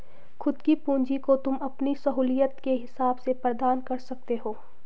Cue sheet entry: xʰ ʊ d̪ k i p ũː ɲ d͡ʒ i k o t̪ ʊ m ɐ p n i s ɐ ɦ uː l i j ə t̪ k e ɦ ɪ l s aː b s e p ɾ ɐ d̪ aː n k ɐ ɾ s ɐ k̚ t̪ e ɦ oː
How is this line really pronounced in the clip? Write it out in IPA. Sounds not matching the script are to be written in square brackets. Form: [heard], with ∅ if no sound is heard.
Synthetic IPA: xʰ ʊ d̪ k i p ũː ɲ d͡ʒ i k o t̪ ʊ m ɐ p n i s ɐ ɦ uː l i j ə t̪ k e ɦ ɪ [∅] s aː b s e p ɾ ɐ d̪ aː n k ɐ ɾ s ɐ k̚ t̪ e ɦ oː